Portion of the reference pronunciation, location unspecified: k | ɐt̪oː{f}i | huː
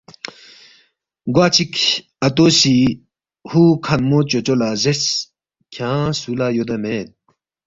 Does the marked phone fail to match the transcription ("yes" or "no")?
yes